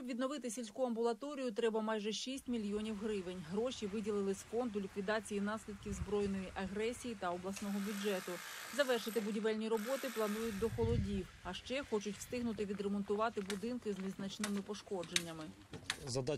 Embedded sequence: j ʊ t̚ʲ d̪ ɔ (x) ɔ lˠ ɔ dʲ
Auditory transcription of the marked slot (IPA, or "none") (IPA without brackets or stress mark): x